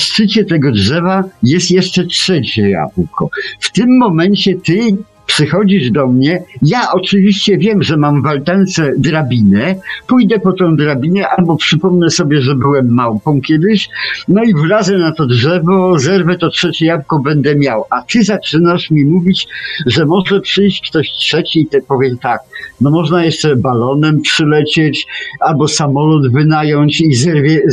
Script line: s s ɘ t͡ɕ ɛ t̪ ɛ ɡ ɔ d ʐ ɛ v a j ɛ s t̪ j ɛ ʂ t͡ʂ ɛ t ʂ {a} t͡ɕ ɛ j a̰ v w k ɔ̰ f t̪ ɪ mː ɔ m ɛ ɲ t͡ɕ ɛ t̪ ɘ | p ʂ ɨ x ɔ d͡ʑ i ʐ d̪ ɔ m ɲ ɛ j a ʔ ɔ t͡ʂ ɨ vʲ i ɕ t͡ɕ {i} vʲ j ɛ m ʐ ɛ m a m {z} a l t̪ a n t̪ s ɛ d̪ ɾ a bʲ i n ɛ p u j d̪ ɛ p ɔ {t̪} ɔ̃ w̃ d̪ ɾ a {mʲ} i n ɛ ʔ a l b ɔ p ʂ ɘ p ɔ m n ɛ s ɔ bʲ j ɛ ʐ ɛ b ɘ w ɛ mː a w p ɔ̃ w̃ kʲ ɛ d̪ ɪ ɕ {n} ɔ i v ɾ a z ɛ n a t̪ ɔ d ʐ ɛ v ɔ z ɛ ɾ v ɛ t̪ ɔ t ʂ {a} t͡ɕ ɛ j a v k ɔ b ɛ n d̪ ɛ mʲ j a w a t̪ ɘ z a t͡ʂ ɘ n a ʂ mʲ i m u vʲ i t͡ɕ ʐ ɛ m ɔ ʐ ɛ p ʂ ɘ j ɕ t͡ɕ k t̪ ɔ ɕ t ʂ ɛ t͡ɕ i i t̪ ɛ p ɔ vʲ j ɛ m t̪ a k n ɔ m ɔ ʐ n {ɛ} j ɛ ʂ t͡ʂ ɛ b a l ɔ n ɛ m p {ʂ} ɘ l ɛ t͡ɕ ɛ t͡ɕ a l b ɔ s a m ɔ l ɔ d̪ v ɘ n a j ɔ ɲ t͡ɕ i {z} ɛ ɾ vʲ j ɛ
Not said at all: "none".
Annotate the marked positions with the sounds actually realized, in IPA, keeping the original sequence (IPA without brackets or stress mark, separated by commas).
ɛ, ɛ, v, t̪, bʲ, n, ɛ, a, ʂ, z